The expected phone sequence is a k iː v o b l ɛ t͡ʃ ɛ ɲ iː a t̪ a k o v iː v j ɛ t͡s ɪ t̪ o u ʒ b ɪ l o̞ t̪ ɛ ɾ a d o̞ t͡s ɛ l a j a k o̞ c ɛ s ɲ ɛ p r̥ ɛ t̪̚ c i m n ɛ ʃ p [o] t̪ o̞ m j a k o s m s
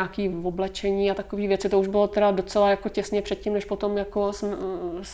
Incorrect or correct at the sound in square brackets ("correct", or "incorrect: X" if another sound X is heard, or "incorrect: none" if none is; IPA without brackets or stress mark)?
correct